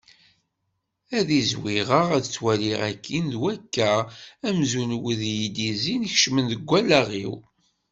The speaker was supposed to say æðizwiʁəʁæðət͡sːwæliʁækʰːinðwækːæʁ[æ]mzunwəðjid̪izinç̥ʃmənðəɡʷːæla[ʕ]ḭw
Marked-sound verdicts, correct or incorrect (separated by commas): correct, incorrect